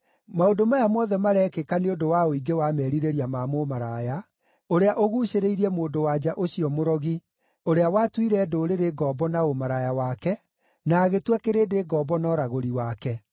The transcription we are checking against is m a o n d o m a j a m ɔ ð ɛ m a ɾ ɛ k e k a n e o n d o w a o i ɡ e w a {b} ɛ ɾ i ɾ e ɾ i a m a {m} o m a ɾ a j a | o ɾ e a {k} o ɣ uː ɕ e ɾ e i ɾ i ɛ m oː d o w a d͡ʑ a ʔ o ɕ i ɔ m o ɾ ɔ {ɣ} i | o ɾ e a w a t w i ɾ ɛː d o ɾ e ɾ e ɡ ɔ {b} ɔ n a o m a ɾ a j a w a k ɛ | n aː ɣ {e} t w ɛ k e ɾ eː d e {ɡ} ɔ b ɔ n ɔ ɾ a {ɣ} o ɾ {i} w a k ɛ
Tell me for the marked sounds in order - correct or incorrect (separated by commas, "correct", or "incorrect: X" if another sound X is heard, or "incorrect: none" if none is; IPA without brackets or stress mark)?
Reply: incorrect: m, correct, incorrect: ʔ, correct, correct, correct, correct, correct, correct